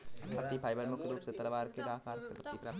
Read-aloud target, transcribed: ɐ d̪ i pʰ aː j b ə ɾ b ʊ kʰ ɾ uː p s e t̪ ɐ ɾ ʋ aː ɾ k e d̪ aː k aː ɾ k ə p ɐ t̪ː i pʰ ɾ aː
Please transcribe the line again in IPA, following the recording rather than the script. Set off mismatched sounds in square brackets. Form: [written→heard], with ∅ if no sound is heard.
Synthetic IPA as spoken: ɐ [d̪→t̪] i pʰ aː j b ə ɾ [b→m] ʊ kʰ ɾ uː p s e t̪ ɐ ɾ ʋ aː ɾ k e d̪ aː k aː ɾ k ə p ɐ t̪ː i [pʰ→p] ɾ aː